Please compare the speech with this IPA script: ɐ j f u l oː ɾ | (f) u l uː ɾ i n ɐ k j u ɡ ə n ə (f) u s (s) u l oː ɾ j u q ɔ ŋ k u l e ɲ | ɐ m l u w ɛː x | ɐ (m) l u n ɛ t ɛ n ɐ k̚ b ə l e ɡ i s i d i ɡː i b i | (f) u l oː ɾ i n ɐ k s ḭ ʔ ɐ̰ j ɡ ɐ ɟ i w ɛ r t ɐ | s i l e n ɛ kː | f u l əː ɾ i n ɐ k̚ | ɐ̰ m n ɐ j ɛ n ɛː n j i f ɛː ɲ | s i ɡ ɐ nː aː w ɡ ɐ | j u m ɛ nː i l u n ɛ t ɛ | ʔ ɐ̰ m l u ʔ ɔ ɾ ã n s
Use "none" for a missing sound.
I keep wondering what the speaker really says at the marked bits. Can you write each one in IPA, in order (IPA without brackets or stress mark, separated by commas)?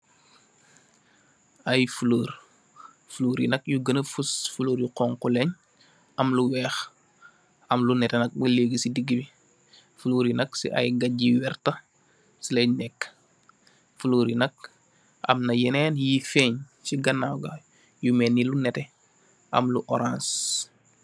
f, f, f, m, f